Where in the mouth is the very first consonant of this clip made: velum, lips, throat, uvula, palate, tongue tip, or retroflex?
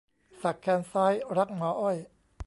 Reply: tongue tip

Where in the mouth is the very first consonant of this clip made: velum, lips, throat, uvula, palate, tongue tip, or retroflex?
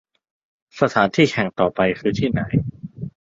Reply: tongue tip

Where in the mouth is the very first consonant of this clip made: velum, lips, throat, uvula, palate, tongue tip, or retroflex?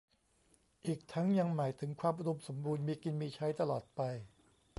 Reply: throat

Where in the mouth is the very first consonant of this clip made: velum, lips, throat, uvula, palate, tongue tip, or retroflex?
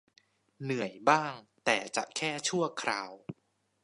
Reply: tongue tip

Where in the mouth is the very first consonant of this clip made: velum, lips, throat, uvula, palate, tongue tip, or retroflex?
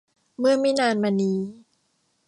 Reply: lips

